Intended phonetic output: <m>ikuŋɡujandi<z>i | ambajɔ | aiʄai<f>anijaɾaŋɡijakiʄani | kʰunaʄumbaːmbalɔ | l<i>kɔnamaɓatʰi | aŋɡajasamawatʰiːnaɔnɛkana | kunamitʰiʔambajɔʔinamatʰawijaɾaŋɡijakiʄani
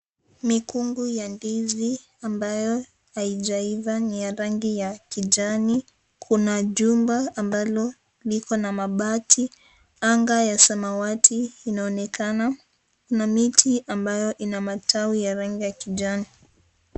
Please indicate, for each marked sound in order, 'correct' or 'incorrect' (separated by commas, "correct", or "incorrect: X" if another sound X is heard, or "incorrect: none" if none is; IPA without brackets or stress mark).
correct, correct, incorrect: v, correct